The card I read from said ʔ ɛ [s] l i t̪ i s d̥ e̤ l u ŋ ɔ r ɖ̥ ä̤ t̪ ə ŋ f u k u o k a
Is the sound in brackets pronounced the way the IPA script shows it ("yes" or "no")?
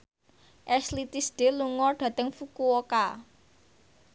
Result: yes